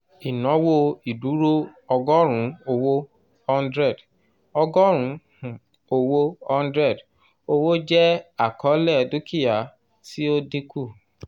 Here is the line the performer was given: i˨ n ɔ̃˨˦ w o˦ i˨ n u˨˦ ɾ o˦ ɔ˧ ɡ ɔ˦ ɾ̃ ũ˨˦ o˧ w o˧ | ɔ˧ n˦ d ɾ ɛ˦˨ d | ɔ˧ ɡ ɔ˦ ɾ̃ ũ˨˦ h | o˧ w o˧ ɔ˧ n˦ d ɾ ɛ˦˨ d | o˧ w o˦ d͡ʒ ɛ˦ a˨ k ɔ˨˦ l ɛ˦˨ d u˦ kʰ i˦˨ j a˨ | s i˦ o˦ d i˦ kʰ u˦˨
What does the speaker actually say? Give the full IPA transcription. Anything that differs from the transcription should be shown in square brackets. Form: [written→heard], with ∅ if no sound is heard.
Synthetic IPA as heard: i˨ n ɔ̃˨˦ w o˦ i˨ [n→d] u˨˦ ɾ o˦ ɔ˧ ɡ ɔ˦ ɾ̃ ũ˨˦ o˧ w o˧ | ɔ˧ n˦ d ɾ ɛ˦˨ d | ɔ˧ ɡ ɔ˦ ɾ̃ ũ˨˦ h | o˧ w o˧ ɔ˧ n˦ d ɾ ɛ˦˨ d | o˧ w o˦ d͡ʒ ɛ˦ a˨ k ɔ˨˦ l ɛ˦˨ d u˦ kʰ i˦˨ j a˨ | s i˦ o˦ d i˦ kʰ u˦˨